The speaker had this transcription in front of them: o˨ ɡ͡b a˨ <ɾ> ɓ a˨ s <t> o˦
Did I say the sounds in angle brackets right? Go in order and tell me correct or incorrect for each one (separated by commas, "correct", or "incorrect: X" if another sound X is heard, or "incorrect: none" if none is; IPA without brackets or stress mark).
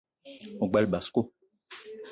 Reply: incorrect: l, incorrect: k